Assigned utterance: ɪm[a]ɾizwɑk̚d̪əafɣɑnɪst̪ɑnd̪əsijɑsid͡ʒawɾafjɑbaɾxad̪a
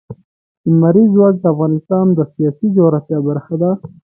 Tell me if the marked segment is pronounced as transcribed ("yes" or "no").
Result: yes